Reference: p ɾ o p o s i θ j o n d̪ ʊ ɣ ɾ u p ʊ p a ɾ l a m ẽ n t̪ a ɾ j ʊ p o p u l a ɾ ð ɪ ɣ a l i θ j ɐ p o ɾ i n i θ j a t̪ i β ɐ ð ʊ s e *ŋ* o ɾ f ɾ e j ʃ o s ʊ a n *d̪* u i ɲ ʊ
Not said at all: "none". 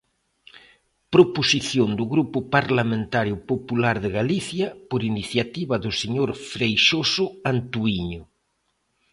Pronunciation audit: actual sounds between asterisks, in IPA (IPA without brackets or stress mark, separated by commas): ɲ, t̪